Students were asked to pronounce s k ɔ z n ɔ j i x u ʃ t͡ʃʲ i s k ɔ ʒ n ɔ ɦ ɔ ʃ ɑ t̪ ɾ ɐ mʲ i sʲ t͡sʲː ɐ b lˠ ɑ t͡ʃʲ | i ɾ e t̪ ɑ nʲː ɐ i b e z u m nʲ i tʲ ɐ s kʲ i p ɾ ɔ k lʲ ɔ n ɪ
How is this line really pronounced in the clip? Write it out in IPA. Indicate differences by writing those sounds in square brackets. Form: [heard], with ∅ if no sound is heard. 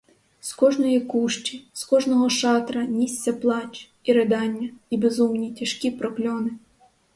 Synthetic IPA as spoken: s k ɔ [ʒ] n ɔ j i [k] u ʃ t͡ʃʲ i s k ɔ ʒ n ɔ ɦ ɔ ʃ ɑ t̪ ɾ ɐ [nʲ] i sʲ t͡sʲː ɐ [p] lˠ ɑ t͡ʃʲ | i ɾ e [d̪] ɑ nʲː ɐ i b e z u m nʲ i tʲ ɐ [ʃ] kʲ i p ɾ ɔ k lʲ ɔ n ɪ